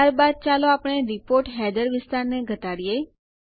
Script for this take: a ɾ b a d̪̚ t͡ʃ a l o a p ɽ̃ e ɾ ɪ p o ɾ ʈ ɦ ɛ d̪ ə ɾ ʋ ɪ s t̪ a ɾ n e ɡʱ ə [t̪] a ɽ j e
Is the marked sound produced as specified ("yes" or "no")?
yes